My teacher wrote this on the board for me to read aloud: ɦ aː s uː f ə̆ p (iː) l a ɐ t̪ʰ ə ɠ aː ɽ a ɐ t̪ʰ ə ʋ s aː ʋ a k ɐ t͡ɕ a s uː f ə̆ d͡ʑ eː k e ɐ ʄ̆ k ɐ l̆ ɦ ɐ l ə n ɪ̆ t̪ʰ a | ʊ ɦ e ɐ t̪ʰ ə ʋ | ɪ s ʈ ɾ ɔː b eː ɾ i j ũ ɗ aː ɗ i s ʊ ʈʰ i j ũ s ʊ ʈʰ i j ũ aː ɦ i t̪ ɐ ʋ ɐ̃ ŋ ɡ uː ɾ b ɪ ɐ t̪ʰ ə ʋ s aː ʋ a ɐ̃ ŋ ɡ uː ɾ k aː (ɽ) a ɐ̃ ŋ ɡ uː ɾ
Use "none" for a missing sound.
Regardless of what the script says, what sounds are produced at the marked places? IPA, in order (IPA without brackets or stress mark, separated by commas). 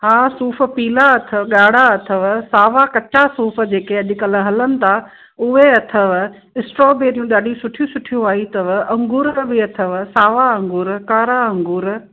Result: iː, ɾ